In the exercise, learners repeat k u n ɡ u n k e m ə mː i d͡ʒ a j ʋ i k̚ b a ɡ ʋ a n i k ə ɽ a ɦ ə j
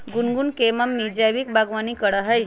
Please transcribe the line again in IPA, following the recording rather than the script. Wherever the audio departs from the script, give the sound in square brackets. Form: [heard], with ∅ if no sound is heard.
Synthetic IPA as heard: [ɡ] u n ɡ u n k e m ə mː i d͡ʒ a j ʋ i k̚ b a ɡ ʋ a n i k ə ɽ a ɦ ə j